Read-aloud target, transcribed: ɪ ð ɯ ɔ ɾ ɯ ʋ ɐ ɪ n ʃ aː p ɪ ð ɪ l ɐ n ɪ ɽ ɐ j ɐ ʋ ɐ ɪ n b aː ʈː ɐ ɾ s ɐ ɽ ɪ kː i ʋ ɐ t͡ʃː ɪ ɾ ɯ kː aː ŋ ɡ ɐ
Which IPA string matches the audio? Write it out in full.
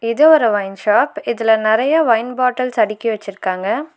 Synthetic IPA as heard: ɪ ð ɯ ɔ ɾ ɯ ʋ ɐ ɪ n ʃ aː p ɪ ð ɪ l ɐ n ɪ ɾ ɐ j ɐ ʋ ɐ ɪ n b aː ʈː ɐ l s ɐ ɽ ɪ kː i ʋ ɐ t͡ʃː ɪ ɾ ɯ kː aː ŋ ɡ ɐ